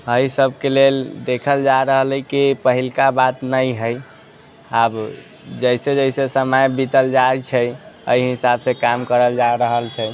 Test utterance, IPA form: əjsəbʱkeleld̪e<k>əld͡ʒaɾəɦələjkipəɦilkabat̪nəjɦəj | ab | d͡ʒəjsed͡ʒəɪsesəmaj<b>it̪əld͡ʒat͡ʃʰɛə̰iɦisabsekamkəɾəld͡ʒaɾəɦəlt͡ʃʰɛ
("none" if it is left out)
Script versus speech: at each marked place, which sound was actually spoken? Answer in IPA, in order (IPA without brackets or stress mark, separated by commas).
kʰ, b